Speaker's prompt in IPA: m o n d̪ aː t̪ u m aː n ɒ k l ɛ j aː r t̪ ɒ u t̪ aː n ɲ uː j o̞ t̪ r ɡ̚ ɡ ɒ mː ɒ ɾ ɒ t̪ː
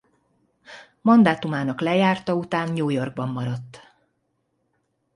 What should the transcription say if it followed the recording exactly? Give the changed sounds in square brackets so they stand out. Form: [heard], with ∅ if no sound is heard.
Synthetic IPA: m [ɒ] n d̪ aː t̪ u m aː n ɒ k l ɛ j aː r t̪ ɒ u t̪ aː n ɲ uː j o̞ [∅] r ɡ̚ [b] ɒ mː ɒ ɾ ɒ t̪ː